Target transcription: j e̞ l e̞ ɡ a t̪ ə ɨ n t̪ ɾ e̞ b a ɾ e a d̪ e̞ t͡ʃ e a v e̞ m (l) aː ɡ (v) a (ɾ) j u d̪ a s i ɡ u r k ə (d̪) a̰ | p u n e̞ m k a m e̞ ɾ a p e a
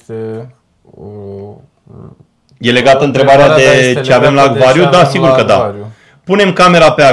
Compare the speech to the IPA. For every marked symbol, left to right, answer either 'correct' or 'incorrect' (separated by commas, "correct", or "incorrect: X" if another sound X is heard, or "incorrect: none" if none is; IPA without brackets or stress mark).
correct, correct, correct, correct